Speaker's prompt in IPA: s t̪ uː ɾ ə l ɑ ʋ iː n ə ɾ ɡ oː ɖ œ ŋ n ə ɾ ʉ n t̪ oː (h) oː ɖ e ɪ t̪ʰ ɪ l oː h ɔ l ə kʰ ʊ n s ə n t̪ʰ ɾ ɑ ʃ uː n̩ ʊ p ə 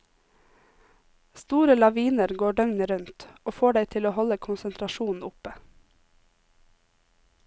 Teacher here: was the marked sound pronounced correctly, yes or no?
no